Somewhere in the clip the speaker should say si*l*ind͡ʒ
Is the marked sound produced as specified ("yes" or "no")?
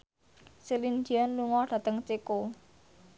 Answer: yes